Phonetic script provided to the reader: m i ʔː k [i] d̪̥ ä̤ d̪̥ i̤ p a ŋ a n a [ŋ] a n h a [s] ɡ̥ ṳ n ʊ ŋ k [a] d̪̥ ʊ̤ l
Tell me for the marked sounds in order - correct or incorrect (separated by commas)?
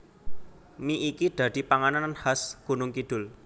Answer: correct, incorrect, correct, incorrect